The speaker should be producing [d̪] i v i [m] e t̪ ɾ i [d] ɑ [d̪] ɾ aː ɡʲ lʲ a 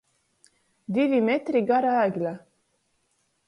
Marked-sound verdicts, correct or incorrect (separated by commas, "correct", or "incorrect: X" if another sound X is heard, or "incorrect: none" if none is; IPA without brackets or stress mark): correct, correct, incorrect: ɡ, incorrect: none